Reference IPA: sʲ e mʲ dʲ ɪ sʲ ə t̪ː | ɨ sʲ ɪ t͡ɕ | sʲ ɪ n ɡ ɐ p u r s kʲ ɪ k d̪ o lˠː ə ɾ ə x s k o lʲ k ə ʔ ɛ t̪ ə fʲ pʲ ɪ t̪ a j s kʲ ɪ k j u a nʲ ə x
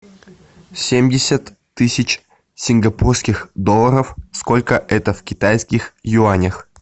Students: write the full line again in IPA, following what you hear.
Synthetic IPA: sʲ e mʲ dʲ ɪ sʲ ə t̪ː | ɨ sʲ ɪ t͡ɕ | sʲ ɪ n ɡ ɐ p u r s kʲ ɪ x d̪ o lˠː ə ɾ ə f s k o lʲ k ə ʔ ɛ t̪ ə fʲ kʲ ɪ t̪ a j s kʲ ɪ x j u a nʲ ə x